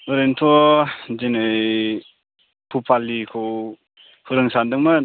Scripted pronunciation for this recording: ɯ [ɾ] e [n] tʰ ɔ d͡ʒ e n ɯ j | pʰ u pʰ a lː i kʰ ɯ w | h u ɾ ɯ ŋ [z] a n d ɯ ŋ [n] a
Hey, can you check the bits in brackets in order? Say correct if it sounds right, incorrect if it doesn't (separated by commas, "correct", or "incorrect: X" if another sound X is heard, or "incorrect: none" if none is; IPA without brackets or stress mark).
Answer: correct, correct, incorrect: s, incorrect: m